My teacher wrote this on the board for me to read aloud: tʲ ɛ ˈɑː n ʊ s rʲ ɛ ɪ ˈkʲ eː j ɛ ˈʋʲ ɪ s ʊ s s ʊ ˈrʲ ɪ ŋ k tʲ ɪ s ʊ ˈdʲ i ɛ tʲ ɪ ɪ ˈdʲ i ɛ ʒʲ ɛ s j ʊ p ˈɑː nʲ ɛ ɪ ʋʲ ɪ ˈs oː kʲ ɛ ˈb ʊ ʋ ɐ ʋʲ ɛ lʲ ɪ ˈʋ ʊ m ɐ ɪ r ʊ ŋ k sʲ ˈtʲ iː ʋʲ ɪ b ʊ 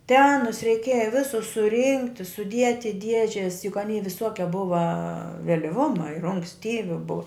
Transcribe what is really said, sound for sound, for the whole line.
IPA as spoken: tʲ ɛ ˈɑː n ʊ s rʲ ɛ ɪ ˈkʲ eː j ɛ ˈʋʲ ɪ s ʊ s s ʊ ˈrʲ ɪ ŋ k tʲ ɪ s ʊ ˈdʲ i ɛ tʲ ɪ ɪ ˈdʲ i ɛ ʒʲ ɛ s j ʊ k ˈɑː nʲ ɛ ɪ ʋʲ ɪ ˈs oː kʲ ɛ ˈb ʊ ʋ ɐ ʋʲ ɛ lʲ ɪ ˈʋ ʊ m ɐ ɪ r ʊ ŋ k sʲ ˈtʲ iː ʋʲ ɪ b ʊ